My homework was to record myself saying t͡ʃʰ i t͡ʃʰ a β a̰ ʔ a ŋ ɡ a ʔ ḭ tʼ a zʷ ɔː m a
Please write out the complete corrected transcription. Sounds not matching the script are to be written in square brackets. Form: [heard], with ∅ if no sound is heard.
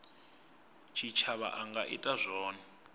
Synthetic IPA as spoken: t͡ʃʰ i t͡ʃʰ a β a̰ ʔ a ŋ ɡ a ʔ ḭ tʼ a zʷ ɔː [n] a